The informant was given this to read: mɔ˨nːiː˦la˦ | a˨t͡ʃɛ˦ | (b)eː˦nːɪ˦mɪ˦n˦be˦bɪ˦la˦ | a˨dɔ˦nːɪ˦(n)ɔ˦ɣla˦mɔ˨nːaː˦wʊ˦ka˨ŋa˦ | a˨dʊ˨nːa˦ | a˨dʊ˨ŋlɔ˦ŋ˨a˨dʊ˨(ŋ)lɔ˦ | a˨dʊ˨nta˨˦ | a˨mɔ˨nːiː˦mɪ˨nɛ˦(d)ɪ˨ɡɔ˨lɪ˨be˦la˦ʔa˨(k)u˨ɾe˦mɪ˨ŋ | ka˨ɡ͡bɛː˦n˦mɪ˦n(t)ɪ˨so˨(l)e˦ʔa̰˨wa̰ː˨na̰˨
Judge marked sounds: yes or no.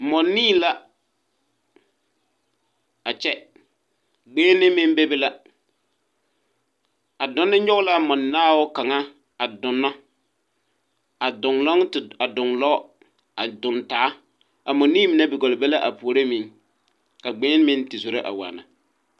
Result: no, no, yes, no, no, yes, no

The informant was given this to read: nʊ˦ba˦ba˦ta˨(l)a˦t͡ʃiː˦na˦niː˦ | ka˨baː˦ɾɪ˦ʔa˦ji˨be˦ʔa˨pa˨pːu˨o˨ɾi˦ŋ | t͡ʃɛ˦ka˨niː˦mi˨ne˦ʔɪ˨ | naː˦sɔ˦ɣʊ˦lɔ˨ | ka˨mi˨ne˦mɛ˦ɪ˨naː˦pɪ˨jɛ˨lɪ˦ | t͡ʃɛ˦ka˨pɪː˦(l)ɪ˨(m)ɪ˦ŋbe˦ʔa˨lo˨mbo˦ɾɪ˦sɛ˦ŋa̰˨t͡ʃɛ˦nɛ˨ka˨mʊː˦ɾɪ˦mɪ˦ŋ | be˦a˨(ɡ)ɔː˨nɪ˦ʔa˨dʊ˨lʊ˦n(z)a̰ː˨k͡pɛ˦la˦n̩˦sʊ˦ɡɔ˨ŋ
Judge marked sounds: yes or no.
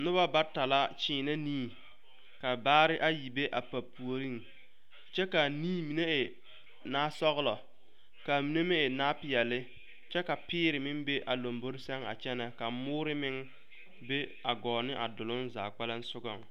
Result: yes, no, yes, yes, yes

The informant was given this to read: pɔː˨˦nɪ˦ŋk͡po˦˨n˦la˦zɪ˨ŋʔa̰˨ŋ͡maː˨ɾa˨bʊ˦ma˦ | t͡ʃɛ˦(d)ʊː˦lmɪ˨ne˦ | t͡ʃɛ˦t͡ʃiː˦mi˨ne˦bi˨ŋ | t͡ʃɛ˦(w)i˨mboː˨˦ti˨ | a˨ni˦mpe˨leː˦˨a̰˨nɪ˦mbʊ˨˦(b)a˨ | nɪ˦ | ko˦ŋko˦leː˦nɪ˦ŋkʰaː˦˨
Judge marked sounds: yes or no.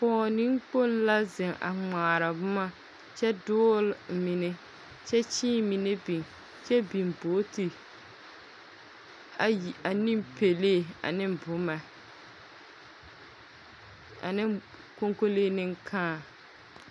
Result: yes, no, no

